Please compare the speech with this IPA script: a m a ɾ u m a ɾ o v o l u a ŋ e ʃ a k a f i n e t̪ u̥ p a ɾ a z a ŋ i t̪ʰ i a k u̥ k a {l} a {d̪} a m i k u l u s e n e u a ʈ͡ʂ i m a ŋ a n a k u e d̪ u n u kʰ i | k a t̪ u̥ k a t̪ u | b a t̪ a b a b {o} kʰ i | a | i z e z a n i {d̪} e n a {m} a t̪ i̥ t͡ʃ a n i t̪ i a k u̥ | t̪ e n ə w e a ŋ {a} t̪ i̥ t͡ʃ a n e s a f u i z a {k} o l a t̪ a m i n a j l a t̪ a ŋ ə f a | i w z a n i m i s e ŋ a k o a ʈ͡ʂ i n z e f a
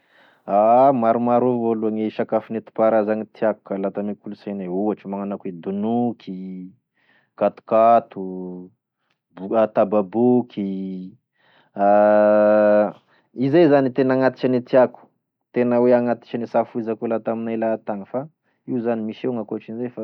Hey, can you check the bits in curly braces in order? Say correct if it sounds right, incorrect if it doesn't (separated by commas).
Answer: correct, incorrect, incorrect, incorrect, incorrect, correct, correct